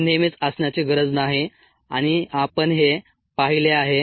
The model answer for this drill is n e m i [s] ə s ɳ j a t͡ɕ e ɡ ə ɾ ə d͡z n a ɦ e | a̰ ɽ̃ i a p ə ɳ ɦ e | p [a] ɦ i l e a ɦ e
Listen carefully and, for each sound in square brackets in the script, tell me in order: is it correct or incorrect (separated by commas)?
incorrect, correct